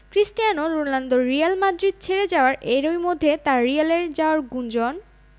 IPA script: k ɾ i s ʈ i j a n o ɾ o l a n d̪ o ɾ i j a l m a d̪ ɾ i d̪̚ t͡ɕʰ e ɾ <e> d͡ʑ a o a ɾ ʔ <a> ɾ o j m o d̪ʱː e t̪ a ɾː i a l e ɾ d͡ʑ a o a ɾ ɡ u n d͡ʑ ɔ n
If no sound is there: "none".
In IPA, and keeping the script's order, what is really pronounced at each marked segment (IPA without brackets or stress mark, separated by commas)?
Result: e, e